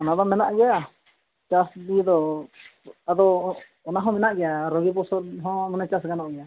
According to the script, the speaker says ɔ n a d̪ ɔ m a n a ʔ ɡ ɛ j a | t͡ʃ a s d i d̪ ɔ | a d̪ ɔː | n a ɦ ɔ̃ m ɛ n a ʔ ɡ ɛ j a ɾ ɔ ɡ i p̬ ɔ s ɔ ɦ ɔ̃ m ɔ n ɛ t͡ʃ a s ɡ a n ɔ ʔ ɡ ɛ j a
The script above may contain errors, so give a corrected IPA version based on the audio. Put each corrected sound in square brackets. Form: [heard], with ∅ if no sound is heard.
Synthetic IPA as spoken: ɔ n a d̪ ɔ m [ɛ] n a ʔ ɡ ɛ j a | t͡ʃ a s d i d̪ ɔ | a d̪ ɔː | n a ɦ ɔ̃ m ɛ n a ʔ ɡ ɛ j a ɾ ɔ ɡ i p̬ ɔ s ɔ ɦ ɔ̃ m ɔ n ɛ t͡ʃ a s ɡ a n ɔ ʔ ɡ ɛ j a